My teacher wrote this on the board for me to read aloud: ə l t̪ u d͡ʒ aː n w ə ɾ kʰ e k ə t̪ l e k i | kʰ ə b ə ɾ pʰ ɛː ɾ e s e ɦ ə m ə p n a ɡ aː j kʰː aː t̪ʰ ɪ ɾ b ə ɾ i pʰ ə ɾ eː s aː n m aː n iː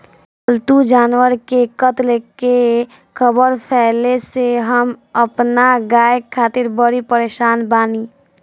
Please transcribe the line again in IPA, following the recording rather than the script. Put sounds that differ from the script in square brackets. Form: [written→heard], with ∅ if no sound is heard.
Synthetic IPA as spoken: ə l t̪ u d͡ʒ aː n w ə ɾ [kʰ→k] e k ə t̪ l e k [i→e] | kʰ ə b ə ɾ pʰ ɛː [ɾ→l] e s e ɦ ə m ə p n a ɡ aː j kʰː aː [t̪ʰ→t̪] ɪ ɾ b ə ɾ i [pʰ→p] ə ɾ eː [s→ʃ] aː n [m→b] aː n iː